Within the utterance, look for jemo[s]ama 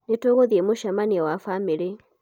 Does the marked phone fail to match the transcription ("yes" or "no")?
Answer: yes